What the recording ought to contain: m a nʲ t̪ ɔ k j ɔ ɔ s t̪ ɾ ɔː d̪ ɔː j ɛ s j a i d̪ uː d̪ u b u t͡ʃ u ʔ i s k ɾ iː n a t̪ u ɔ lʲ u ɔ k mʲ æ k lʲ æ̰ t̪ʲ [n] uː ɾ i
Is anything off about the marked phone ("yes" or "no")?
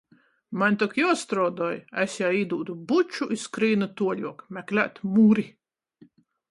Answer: yes